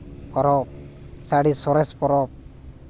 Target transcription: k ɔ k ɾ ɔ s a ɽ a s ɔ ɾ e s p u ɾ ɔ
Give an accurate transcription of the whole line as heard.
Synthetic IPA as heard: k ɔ ɾ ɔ s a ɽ i s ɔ ɾ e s p ɔ ɾ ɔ

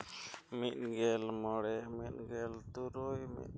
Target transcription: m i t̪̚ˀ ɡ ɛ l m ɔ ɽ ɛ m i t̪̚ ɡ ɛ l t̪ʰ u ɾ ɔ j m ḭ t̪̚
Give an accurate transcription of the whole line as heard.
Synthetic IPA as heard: m i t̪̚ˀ ɡ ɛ l m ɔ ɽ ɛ m i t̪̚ ɡ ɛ l t̪ u ɾ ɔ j m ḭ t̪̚

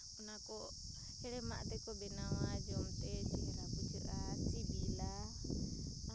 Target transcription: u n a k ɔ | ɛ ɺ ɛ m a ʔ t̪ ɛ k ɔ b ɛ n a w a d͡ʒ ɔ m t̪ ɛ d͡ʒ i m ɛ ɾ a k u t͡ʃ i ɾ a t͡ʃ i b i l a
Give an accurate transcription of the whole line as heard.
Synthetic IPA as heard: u n a k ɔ | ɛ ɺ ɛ m a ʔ t̪ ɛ k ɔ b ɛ n a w a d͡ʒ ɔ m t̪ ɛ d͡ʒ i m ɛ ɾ a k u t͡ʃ i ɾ a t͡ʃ i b i l a

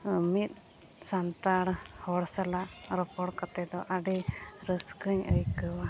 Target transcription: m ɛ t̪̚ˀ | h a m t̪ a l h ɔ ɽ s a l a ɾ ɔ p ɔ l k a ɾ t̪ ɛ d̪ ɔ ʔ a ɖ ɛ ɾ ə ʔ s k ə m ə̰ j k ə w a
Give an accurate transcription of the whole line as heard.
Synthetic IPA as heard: m i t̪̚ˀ | s a n t̪ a ɽ h ɔ ɽ s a l a ɾ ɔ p ɔ ɽ k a t̪ ɛ d̪ ɔ ʔ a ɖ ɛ ɾ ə s k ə ɲ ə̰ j k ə w a

